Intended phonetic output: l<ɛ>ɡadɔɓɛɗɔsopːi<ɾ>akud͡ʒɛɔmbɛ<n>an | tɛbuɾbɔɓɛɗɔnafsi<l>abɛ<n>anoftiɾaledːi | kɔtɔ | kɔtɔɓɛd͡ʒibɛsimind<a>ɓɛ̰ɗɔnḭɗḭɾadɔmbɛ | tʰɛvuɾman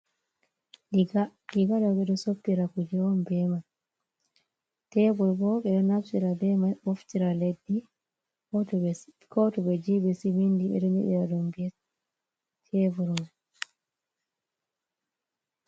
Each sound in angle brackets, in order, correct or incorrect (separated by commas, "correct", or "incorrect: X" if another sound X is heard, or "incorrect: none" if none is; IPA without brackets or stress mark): incorrect: i, correct, incorrect: m, incorrect: ɾ, incorrect: m, incorrect: i